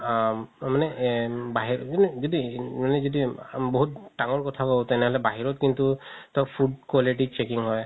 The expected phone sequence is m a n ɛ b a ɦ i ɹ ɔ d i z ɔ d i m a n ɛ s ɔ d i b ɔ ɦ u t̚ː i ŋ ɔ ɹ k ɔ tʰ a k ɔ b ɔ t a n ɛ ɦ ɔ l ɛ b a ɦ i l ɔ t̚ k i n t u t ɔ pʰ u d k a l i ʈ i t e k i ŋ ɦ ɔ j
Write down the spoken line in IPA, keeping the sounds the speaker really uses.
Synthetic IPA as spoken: m a n ɛ b a ɦ i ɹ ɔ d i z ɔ d i m a n ɛ z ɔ d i b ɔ ɦ u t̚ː a ŋ ɔ ɹ k ɔ tʰ a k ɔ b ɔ t ɛ n ɛ ɦ ɔ l ɛ b a ɦ i ɹ ɔ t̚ k i n t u t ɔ pʰ u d k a l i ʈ i t͡ʃ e k i ŋ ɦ ɔ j